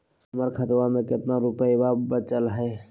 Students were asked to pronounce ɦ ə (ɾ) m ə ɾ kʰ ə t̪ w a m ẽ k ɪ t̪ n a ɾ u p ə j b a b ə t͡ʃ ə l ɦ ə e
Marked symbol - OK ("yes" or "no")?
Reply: no